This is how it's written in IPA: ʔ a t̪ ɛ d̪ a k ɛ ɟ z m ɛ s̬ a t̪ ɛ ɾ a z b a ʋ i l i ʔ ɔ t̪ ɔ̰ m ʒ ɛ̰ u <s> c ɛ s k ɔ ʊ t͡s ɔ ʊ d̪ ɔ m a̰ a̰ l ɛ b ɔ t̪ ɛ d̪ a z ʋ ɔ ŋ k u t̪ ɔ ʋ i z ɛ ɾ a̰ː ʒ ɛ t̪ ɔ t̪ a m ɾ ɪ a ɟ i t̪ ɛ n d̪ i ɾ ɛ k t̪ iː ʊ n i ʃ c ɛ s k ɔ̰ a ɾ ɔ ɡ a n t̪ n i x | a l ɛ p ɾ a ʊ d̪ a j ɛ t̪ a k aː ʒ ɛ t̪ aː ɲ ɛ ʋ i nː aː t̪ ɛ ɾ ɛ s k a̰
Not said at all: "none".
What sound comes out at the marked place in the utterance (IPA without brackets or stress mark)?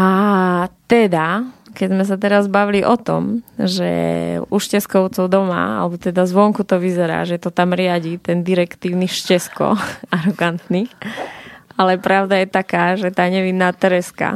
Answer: ʃ